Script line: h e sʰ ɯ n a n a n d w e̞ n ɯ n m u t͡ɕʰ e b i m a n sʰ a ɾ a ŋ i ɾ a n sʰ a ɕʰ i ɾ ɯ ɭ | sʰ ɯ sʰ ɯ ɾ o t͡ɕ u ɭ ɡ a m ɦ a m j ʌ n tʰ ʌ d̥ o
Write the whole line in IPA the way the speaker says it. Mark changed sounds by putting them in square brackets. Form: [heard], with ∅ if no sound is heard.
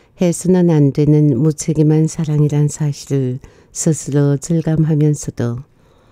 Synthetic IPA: h e sʰ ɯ n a n a n d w e̞ n ɯ n m u t͡ɕʰ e [ɡ] i m a n sʰ a ɾ a ŋ i ɾ a n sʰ a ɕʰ i ɾ ɯ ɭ | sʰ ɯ sʰ ɯ ɾ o t͡ɕ [ɯ] ɭ ɡ a m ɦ a m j ʌ n [sʰ] ʌ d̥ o